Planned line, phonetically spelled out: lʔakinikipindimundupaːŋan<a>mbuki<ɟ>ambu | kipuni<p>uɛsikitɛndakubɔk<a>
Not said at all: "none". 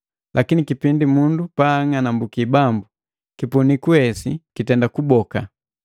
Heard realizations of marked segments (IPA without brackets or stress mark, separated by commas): a, b, k, a